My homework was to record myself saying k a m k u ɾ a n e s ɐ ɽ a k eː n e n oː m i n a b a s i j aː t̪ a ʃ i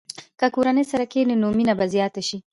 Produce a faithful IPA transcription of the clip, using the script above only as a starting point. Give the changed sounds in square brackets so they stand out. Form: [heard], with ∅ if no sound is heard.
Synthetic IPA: k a [∅] k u ɾ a n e s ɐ [ɾ] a k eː n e n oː m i n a b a [z] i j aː t̪ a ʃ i